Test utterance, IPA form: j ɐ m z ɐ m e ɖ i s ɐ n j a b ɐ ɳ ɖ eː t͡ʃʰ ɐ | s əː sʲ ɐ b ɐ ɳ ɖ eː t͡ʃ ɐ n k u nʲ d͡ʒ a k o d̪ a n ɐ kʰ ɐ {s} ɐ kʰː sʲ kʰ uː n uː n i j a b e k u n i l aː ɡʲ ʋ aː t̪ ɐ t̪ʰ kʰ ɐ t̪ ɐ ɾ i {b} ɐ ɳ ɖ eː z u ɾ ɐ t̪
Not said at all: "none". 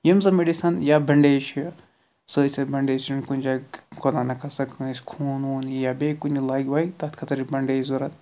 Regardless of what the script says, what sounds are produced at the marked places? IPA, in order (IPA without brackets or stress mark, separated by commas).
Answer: s, b